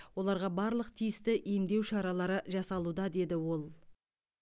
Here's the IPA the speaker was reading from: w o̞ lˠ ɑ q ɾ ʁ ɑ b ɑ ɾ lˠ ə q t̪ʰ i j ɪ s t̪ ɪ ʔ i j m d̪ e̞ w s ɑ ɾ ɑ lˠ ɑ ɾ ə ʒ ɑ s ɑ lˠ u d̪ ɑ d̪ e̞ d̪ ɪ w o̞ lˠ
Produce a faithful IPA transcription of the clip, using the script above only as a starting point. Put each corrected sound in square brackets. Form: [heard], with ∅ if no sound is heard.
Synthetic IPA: w o̞ lˠ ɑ [∅] ɾ ʁ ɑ b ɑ ɾ lˠ ə q t̪ʰ i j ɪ s t̪ ɪ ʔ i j m d̪ e̞ w [ʃ] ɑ ɾ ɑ lˠ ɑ ɾ ə ʒ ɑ s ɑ lˠ u d̪ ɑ d̪ e̞ d̪ ɪ w o̞ lˠ